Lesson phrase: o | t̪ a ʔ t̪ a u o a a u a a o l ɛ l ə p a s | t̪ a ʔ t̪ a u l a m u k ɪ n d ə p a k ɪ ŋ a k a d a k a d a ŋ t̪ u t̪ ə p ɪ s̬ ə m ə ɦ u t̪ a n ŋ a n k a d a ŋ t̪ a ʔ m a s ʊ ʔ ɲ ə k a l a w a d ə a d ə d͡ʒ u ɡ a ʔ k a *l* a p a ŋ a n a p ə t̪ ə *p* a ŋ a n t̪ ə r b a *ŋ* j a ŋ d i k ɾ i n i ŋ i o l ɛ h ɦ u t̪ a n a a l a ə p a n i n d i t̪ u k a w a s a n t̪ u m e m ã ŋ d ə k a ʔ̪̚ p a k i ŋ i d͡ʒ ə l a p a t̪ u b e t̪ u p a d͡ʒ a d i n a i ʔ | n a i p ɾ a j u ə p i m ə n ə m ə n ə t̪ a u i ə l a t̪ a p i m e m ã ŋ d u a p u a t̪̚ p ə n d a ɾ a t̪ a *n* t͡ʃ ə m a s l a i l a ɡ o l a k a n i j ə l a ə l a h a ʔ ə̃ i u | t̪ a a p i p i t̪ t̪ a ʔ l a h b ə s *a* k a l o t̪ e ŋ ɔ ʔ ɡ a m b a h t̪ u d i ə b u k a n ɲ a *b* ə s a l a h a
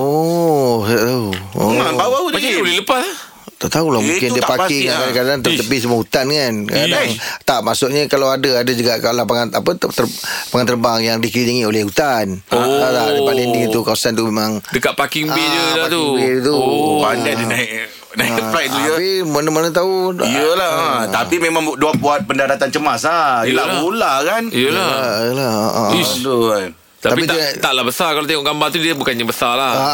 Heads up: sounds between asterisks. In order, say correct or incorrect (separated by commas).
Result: correct, correct, correct, correct, correct, correct